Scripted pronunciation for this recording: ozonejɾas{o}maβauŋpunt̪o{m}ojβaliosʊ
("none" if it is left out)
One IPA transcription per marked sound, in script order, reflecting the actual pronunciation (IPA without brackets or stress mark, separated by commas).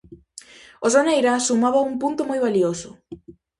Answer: u, m